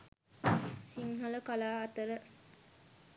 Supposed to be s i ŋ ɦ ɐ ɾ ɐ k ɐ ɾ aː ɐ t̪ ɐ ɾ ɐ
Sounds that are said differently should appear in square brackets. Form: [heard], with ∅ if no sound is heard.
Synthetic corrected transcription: s i ŋ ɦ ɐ [l] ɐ k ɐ [l] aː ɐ t̪ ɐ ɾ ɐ